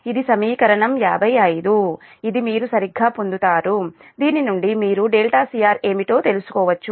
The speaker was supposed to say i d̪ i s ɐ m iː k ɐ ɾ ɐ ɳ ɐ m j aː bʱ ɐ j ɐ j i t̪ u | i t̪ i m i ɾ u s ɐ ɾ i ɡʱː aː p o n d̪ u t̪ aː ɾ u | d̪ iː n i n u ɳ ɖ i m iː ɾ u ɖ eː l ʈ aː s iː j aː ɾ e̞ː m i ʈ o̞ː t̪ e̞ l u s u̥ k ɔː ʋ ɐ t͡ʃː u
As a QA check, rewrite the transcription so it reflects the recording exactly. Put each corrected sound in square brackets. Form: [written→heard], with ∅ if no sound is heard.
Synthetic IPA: i d̪ i s ɐ m iː k ɐ ɾ ɐ ɳ ɐ m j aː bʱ ɐ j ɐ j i [t̪→d̪] u | i [t̪→d̪] i m [i→iː] ɾ u s ɐ ɾ i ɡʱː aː p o n d̪ u t̪ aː ɾ u | d̪ iː n i n u ɳ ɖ i m iː ɾ u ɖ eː l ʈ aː s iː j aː ɾ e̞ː m i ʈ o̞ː t̪ e̞ l u s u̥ k ɔː ʋ ɐ t͡ʃː u